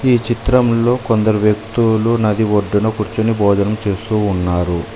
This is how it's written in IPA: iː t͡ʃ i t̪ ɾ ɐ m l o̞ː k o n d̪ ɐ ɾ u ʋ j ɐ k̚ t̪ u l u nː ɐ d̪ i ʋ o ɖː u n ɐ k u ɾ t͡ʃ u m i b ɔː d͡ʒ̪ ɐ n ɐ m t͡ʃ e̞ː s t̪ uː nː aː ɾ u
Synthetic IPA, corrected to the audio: iː t͡ʃ i t̪ ɾ ɐ m l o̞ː k o n d̪ ɐ ɾ u ʋ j ɐ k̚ t̪ u l u n ɐ d̪ i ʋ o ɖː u n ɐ k u ɾ t͡ʃ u n i b ɔː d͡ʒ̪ ɐ n ɐ m t͡ʃ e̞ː s t̪ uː nː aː ɾ u